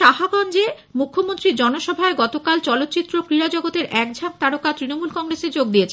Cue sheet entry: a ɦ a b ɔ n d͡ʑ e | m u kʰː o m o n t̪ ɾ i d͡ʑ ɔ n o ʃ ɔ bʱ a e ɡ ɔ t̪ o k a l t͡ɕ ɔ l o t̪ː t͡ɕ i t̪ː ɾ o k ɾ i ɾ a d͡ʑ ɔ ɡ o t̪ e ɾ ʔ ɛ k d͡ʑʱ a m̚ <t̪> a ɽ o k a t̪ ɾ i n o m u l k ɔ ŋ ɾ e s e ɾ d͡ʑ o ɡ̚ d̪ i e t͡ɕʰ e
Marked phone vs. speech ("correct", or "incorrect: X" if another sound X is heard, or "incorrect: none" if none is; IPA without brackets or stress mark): correct